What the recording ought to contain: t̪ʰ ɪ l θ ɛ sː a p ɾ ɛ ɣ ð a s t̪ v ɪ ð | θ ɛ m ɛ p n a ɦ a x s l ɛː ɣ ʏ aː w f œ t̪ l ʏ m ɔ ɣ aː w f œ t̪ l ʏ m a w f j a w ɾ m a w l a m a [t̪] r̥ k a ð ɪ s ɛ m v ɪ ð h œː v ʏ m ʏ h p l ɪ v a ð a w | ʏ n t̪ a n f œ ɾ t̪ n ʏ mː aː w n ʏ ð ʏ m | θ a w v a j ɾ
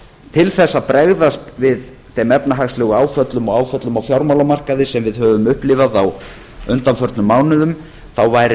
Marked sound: incorrect: none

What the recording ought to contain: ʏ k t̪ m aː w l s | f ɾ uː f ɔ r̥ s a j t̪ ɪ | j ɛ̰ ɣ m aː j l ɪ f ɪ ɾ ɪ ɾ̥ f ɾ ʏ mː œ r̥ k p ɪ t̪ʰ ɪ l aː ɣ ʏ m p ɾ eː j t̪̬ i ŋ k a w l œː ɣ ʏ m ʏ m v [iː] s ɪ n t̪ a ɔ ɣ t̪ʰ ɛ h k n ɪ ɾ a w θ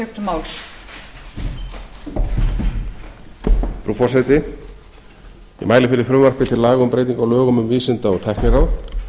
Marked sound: correct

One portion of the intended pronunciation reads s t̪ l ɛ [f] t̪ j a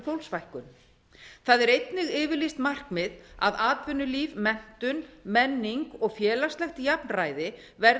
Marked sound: incorrect: x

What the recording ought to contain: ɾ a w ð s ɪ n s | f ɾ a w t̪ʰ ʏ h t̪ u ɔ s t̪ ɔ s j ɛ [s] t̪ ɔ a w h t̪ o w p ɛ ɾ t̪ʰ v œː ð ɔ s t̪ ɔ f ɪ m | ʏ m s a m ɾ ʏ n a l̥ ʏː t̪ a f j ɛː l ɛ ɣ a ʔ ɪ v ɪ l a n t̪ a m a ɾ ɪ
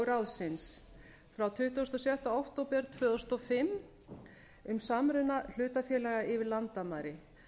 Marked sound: incorrect: h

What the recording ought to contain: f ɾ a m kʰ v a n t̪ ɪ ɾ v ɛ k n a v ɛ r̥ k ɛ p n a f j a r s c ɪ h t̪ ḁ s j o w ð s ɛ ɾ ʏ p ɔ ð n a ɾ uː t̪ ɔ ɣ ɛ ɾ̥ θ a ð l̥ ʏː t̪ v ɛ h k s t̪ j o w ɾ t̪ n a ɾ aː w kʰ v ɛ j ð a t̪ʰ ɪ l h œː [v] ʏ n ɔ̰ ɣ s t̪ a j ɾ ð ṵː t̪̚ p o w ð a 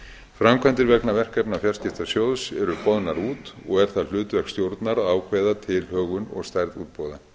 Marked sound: incorrect: ɣ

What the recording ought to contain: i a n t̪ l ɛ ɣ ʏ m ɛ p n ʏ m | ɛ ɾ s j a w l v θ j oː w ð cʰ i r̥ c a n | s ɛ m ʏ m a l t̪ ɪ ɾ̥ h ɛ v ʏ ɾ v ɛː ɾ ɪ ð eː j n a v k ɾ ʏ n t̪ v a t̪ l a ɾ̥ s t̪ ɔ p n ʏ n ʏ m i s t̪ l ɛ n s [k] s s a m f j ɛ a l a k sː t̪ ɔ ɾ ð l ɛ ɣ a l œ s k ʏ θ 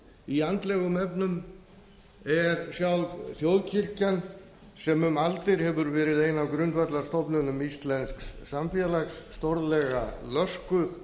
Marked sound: correct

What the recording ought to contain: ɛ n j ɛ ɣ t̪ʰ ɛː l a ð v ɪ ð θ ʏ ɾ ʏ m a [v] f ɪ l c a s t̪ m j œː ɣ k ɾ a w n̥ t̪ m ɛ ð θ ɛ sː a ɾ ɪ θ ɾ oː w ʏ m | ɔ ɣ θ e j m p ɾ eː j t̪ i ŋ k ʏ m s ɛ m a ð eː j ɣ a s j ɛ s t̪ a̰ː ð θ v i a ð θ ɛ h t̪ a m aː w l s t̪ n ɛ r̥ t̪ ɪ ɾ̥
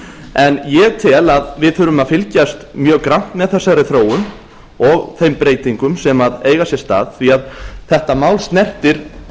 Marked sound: incorrect: ð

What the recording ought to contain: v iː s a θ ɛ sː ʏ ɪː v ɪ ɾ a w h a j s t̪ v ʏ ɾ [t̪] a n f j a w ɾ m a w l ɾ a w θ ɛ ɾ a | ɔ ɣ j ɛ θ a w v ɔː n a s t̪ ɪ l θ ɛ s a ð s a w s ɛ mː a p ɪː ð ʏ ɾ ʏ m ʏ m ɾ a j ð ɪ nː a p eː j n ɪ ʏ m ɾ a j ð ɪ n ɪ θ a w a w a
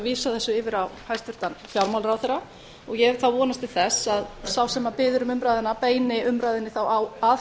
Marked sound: correct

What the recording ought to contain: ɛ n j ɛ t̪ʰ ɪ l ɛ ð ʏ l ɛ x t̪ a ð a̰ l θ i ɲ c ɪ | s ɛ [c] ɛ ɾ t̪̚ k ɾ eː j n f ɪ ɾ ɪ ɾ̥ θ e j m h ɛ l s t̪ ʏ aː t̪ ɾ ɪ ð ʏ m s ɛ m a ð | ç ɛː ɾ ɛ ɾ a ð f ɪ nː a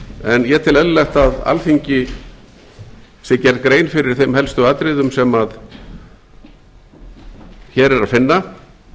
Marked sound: correct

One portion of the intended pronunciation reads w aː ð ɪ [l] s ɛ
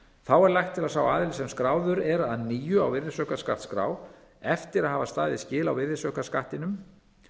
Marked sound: correct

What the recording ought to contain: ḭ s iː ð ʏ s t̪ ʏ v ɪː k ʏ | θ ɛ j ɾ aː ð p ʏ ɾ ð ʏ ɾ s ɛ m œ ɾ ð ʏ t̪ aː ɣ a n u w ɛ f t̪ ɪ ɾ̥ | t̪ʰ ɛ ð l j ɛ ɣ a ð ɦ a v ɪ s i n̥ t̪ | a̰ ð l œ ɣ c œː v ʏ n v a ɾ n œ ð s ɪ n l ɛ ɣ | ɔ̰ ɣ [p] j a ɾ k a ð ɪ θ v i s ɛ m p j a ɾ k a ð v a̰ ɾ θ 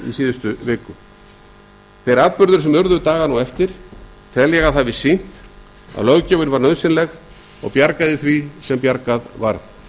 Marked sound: correct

